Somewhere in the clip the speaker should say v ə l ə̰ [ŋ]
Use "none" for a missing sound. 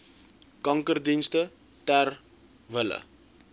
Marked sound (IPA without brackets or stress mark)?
none